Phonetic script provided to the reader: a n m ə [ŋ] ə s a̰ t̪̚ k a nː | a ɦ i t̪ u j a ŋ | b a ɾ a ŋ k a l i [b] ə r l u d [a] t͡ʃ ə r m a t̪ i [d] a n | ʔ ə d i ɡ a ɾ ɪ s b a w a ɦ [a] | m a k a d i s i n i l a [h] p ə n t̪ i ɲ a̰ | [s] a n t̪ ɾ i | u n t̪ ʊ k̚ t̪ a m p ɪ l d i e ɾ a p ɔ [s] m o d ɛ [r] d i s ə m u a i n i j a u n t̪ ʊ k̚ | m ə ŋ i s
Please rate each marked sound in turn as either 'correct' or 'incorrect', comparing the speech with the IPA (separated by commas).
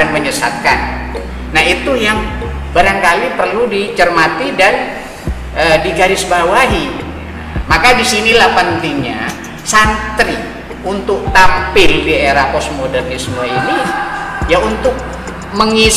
incorrect, incorrect, incorrect, correct, incorrect, correct, correct, correct, correct